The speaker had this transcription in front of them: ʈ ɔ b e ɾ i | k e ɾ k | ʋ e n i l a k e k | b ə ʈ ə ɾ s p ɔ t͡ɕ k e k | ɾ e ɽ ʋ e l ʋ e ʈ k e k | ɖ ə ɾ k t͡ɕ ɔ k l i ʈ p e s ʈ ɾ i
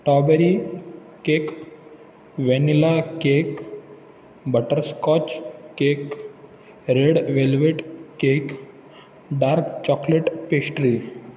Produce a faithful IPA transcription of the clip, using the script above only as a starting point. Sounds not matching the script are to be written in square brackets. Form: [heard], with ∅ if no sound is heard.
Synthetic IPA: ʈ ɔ b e ɾ i | k e [∅] k | ʋ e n i l a k e k | b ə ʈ ə ɾ s [k] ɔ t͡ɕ k e k | ɾ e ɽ ʋ e l ʋ e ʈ k e k | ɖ [a] ɾ k t͡ɕ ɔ k l [e] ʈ p e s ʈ ɾ i